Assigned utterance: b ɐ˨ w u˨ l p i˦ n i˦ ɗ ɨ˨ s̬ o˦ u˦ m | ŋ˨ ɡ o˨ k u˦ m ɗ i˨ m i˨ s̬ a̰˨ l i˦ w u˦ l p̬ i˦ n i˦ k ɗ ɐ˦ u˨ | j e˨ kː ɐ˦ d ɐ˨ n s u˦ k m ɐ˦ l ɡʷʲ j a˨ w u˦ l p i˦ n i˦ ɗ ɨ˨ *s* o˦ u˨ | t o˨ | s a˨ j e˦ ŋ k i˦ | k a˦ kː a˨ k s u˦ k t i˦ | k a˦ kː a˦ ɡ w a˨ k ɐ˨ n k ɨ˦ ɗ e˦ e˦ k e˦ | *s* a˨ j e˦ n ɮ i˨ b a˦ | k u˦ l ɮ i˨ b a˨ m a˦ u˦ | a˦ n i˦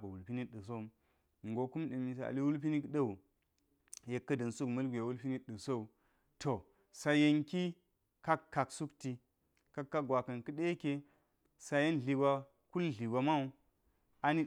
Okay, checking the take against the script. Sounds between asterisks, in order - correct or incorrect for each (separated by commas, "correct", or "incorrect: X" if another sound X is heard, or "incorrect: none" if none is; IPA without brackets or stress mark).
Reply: correct, correct